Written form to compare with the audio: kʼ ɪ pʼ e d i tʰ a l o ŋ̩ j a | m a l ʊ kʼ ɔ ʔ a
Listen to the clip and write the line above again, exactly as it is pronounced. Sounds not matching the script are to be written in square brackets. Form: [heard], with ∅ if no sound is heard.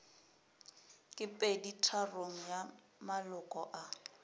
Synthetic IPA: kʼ ɪ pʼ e d i tʰ a [r] o ŋ̩ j a | m a l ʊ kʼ ɔ ʔ a